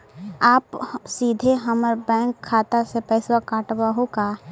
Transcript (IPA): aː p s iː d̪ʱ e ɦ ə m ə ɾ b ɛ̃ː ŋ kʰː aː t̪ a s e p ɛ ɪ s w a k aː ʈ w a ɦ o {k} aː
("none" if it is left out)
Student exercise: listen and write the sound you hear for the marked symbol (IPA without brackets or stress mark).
k